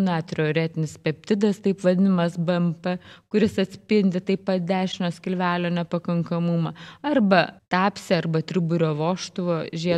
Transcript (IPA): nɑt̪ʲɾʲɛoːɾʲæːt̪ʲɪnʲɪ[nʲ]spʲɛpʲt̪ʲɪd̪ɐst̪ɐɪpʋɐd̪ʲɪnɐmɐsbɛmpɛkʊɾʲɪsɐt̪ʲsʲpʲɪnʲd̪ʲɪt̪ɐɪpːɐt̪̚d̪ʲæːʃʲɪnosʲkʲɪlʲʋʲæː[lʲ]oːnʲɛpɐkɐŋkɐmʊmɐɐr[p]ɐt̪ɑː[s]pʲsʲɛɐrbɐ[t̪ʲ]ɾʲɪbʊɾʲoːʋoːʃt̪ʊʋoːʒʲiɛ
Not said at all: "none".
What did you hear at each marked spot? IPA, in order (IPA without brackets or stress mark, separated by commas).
none, lʲ, b, none, t̪ʲ